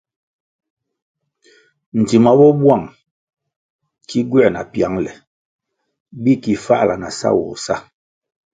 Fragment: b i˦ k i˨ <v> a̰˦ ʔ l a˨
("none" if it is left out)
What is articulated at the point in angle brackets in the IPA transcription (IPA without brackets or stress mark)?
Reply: f